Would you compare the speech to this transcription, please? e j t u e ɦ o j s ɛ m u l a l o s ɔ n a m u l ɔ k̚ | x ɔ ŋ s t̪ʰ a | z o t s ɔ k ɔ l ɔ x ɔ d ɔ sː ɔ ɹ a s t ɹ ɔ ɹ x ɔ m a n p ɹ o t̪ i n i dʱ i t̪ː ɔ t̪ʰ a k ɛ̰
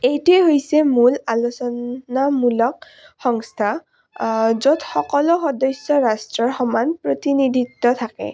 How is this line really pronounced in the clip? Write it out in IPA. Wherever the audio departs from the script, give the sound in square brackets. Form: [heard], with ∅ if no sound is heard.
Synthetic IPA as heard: e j t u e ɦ o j s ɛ m u l a l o s ɔ n a m u l ɔ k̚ | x ɔ ŋ s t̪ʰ a | z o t [x] ɔ k ɔ l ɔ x ɔ d ɔ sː ɔ ɹ a s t ɹ ɔ ɹ x ɔ m a n p ɹ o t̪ i n i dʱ i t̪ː ɔ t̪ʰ a k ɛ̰